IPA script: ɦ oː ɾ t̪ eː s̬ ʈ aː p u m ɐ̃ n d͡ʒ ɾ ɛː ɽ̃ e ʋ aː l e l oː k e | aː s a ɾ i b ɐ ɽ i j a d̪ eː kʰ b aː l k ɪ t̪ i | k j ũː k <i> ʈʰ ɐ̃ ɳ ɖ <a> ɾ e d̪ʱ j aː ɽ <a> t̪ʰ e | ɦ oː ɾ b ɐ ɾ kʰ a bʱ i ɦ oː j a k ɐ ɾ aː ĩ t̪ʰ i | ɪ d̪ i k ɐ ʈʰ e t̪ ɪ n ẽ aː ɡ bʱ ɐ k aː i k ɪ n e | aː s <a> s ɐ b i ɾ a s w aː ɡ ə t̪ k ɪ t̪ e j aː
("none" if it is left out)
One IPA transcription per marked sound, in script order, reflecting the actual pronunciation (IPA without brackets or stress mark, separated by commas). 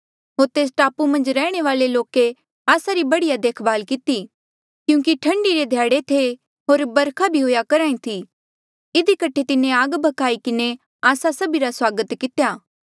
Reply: i, i, e, a